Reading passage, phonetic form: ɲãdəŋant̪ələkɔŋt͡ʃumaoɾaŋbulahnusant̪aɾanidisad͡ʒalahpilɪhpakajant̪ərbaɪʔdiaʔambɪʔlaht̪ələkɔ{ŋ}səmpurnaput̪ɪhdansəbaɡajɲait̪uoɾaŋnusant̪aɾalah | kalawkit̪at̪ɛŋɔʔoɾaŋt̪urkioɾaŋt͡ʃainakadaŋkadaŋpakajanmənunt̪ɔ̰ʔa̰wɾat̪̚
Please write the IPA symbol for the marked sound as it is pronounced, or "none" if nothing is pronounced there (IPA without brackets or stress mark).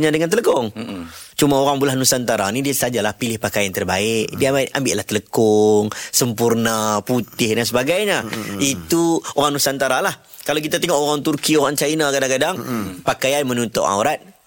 ŋ